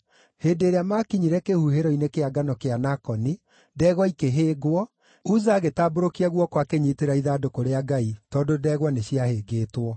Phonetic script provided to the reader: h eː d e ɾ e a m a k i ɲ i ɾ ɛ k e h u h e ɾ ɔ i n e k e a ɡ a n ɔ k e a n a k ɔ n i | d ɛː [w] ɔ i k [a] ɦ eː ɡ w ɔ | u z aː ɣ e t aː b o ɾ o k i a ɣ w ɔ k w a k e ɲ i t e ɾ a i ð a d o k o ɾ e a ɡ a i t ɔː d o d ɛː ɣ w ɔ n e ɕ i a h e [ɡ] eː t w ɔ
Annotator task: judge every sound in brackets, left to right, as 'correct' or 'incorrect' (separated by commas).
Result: incorrect, incorrect, correct